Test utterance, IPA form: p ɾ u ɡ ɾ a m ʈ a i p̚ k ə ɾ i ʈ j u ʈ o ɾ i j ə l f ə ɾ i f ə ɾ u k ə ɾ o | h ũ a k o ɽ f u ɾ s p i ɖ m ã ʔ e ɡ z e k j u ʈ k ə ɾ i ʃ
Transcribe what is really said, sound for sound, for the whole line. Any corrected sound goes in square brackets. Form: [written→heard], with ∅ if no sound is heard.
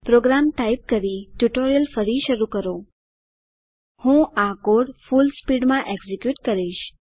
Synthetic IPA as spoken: p ɾ [u→o] ɡ ɾ a m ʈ a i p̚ k ə ɾ i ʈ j u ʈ o ɾ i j ə l f ə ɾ i [f→ʃ] ə ɾ u k ə ɾ o | h ũ a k o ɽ f u [ɾ→l] s p i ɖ m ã ʔ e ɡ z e k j u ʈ k ə ɾ i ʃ